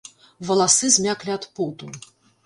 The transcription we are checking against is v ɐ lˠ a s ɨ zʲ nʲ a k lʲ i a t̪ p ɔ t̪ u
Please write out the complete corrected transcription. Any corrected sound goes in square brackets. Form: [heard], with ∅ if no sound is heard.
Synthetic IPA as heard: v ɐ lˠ a s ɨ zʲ [mʲ] a k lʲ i a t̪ p [u] t̪ u